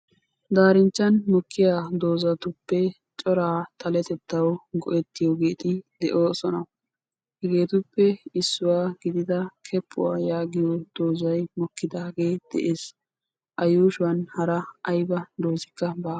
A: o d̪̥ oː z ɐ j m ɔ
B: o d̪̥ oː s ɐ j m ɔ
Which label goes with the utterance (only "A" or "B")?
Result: A